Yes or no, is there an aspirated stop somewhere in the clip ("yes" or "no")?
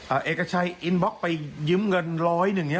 yes